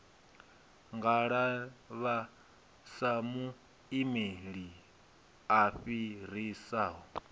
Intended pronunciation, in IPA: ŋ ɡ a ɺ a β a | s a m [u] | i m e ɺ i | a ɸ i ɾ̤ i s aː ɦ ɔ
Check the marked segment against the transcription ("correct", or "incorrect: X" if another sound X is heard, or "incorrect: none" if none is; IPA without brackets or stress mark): correct